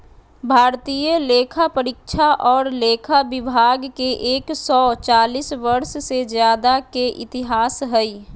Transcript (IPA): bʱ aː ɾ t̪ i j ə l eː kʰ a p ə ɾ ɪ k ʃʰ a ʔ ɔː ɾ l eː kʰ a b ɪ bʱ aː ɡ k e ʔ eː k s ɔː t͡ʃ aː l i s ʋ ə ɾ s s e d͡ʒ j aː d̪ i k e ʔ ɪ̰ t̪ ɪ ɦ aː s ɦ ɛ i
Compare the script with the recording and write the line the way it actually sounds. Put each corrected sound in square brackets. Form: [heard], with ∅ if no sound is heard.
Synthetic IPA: bʱ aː ɾ t̪ i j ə l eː kʰ a p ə ɾ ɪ k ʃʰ a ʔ ɔː ɾ l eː kʰ a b ɪ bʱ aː ɡ k e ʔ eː k s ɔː t͡ʃ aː l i s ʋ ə ɾ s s e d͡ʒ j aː d̪ [a] k e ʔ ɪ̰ t̪ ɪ ɦ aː s ɦ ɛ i

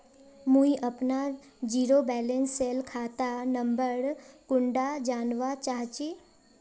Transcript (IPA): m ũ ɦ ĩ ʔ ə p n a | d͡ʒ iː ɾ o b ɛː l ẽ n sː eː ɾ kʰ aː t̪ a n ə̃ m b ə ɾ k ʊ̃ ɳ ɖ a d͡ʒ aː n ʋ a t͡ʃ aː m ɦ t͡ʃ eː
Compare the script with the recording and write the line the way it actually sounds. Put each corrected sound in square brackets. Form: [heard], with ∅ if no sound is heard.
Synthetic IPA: m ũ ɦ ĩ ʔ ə p n a | d͡ʒ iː ɾ o b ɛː l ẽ n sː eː [l] kʰ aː t̪ a n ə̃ m b ə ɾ k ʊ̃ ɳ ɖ a d͡ʒ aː n ʋ a t͡ʃ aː [∅] ɦ t͡ʃ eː

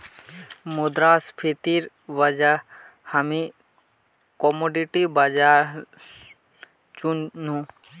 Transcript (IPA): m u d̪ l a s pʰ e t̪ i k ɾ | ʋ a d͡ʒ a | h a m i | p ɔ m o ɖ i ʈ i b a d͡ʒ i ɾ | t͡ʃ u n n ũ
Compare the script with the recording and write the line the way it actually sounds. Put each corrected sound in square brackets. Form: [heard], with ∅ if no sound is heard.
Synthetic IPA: m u d̪ [ɾ] a s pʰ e t̪ i [∅] ɾ | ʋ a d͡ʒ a | h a m i | [k] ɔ m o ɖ i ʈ i b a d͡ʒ [a] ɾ | t͡ʃ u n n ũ

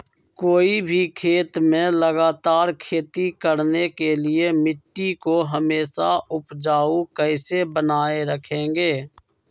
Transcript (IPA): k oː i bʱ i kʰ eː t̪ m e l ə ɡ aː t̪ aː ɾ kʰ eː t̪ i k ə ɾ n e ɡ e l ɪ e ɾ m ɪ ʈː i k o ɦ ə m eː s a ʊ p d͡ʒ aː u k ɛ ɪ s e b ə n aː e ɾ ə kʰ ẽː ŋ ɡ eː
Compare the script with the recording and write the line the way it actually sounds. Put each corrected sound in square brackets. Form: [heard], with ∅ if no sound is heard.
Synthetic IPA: k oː i bʱ i kʰ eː t̪ m [ẽ] l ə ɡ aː t̪ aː ɾ kʰ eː t̪ i k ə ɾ n e [k] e l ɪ e [∅] m ɪ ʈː i k o ɦ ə m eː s a ʊ p d͡ʒ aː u k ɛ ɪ s e b ə n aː e ɾ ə kʰ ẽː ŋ ɡ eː

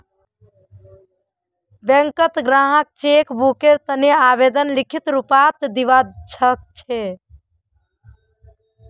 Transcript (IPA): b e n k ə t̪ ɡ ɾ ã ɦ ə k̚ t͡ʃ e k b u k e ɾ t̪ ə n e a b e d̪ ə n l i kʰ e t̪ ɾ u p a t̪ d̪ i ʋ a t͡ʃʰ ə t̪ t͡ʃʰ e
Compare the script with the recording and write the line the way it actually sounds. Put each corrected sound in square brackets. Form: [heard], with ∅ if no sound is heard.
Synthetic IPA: b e [ŋ] k ə t̪ ɡ ɾ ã ɦ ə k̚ t͡ʃ e k b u k e ɾ t̪ ə n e a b e d̪ ə n l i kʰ [i] t̪ ɾ u p a t̪ d̪ i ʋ a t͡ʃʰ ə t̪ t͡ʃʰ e

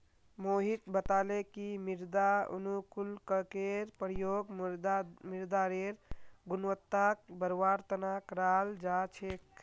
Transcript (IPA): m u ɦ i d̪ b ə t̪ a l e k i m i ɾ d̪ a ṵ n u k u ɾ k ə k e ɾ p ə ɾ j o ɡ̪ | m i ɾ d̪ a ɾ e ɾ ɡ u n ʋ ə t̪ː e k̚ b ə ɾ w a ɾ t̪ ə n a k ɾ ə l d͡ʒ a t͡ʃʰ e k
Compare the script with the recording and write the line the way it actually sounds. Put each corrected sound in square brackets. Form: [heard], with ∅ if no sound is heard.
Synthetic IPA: m [o] ɦ i [t̪] b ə t̪ a l e k i m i ɾ d̪ a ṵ n u k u [l] k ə k e ɾ p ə ɾ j o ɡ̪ | m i ɾ d̪ a ɾ e ɾ ɡ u n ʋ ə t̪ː [a] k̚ b ə ɾ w a ɾ t̪ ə n a k ɾ [a] l d͡ʒ a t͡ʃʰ e k

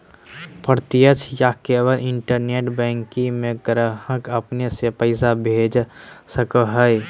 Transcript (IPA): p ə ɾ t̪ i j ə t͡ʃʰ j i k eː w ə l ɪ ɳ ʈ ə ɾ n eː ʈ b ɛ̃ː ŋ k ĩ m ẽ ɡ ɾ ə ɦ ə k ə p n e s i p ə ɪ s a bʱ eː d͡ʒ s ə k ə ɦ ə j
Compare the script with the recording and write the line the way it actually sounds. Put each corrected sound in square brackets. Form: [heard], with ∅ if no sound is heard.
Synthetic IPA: p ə ɾ t̪ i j ə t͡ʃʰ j [a] k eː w ə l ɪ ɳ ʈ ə ɾ n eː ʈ b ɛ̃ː ŋ k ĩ m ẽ ɡ ɾ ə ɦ ə k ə p n e s [e] p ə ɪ s a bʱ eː d͡ʒ s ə k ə ɦ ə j

